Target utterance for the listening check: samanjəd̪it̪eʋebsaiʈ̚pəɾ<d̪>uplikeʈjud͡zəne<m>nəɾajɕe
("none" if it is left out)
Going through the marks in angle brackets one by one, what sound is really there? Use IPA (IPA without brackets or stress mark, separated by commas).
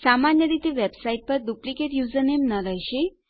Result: d̪, m